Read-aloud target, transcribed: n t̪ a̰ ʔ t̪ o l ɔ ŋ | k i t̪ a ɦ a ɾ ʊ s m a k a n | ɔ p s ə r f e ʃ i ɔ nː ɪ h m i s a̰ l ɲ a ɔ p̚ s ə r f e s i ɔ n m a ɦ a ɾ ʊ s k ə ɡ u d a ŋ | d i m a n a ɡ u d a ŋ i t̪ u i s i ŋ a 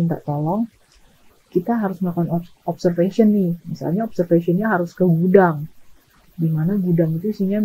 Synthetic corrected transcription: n t̪ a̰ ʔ t̪ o l ɔ ŋ | k i t̪ a ɦ a ɾ ʊ s m a k a n | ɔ p s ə r f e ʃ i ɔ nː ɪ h m i s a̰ l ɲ a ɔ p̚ s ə r f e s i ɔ n ɲ a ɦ a ɾ ʊ s k ə ɡ u d a ŋ | d i m a n a ɡ u d a ŋ i t̪ u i s i ɲ a